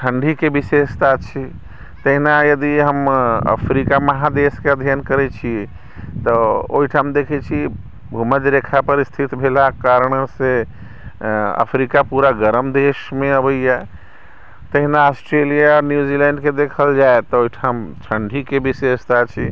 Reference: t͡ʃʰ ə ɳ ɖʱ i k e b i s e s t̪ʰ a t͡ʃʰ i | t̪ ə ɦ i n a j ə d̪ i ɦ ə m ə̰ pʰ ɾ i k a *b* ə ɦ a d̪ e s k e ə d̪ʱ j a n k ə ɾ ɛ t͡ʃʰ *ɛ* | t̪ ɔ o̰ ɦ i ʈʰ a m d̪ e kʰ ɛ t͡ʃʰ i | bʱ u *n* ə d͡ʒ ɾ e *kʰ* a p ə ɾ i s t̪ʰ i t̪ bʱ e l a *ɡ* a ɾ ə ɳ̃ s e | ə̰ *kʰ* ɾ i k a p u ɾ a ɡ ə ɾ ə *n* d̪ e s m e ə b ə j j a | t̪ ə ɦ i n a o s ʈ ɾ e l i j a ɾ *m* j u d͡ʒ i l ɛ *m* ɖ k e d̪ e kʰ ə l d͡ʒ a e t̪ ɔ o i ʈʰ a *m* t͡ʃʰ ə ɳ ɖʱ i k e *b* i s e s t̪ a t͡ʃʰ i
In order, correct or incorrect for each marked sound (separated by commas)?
incorrect, incorrect, incorrect, correct, incorrect, incorrect, incorrect, incorrect, incorrect, correct, correct